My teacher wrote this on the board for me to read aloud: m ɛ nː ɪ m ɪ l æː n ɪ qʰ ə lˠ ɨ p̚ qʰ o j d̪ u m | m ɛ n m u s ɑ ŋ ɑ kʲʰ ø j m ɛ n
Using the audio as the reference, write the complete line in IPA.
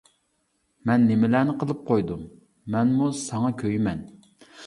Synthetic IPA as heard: m ɛ nː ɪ m ɪ l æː n ɪ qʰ ə lˠ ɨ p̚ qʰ o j d̪ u m | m ɛ n m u s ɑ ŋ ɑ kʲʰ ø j m ɛ n